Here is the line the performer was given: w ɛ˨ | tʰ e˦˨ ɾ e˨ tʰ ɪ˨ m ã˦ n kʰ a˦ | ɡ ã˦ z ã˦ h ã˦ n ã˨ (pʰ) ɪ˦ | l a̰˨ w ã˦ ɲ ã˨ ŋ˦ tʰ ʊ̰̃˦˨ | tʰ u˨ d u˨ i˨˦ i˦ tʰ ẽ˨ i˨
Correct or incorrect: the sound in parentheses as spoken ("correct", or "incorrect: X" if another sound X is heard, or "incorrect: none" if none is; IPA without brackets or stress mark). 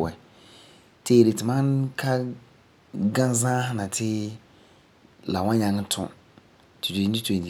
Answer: incorrect: tʰ